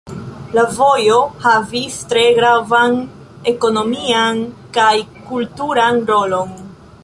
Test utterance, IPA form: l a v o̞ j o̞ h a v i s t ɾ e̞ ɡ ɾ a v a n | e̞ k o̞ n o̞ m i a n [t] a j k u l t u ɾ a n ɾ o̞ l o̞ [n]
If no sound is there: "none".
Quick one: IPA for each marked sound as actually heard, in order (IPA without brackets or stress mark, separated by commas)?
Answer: k, n